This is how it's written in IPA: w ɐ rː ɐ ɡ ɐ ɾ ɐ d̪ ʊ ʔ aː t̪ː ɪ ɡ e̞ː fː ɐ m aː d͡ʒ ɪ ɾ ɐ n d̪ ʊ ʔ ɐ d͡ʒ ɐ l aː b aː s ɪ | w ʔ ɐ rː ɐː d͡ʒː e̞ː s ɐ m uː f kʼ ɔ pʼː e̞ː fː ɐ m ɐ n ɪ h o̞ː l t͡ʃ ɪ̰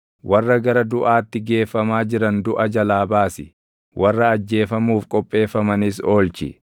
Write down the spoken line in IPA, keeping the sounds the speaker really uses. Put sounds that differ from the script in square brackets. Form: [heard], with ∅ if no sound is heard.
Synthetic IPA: w ɐ rː ɐ ɡ ɐ ɾ ɐ d̪ ʊ ʔ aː t̪ː ɪ ɡ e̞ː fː ɐ m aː d͡ʒ ɪ ɾ ɐ n d̪ ʊ ʔ ɐ d͡ʒ ɐ l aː b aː s ɪ | w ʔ ɐ rː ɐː d͡ʒː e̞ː [f] ɐ m uː f kʼ ɔ pʼː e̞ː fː ɐ m ɐ n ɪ [s] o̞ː l t͡ʃ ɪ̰

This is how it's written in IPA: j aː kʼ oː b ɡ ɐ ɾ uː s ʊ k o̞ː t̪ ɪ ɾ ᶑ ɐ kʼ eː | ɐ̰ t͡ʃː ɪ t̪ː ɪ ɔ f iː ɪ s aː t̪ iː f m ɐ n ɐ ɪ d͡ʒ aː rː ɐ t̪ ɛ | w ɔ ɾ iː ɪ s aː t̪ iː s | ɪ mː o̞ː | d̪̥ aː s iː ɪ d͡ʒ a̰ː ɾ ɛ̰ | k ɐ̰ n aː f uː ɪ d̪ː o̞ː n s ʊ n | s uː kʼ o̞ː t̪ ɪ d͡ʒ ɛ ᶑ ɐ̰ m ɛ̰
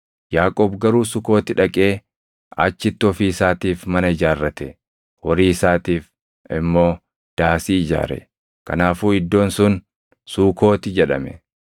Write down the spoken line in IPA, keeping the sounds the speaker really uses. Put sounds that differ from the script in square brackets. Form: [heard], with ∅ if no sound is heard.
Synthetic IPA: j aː kʼ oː b ɡ ɐ ɾ uː s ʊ k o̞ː t̪ ɪ [∅] ᶑ ɐ kʼ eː | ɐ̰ t͡ʃː ɪ t̪ː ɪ ɔ f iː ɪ s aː t̪ iː f m ɐ n ɐ ɪ d͡ʒ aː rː ɐ t̪ ɛ | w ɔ ɾ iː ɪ s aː t̪ iː [f] | ɪ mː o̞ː | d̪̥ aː s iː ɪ d͡ʒ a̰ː ɾ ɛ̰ | k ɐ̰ n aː f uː ɪ d̪ː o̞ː n s ʊ n | s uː [k] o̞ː t̪ ɪ d͡ʒ ɛ ᶑ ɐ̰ m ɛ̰

